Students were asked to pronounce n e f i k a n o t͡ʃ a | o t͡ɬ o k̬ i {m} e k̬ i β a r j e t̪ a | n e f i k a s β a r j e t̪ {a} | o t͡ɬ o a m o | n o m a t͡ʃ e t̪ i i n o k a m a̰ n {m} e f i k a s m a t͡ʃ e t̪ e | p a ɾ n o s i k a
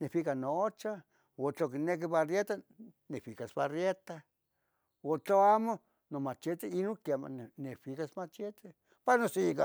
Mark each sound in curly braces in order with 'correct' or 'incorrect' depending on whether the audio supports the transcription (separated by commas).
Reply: incorrect, correct, incorrect